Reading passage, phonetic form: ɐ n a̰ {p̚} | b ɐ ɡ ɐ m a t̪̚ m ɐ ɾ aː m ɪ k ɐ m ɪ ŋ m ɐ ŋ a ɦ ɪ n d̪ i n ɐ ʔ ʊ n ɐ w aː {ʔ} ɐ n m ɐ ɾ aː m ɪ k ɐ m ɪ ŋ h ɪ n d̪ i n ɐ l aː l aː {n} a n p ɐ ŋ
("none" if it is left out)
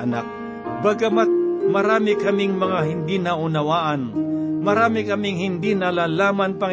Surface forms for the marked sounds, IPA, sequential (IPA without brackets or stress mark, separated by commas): k̚, ʔ, m